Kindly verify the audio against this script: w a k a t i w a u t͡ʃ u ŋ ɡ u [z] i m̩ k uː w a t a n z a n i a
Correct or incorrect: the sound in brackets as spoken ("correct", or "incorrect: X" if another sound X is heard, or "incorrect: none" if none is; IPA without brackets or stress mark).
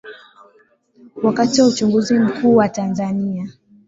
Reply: correct